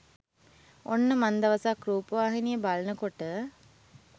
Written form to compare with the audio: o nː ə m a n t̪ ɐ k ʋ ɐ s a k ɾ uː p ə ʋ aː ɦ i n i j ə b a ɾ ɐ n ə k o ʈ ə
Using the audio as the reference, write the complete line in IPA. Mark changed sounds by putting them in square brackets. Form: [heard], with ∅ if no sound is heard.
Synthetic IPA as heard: o nː ə m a n [d̪] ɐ [∅] ʋ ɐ s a k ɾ uː p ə ʋ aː ɦ i n i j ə b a [l] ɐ n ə k o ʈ ə